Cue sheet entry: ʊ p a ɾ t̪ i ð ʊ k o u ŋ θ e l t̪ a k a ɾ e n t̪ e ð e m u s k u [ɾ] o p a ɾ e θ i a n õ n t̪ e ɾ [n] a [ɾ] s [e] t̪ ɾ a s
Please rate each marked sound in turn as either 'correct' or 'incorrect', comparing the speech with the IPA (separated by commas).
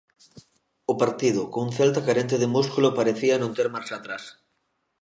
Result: incorrect, incorrect, correct, incorrect